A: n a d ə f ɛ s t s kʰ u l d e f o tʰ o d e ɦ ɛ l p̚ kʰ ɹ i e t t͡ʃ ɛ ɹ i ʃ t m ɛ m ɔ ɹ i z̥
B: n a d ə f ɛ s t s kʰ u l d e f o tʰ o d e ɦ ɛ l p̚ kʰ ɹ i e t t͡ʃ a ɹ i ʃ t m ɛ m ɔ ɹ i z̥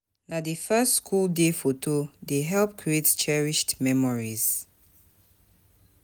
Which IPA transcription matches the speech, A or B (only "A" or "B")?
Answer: A